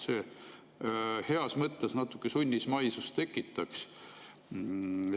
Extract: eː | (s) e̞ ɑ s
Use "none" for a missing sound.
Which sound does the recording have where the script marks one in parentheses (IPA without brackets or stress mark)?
h